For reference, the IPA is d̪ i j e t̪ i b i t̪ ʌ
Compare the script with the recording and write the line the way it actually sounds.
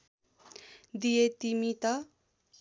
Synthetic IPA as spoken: d̪ i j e t̪ i m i t̪ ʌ